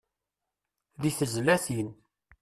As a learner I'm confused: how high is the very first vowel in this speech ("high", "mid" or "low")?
high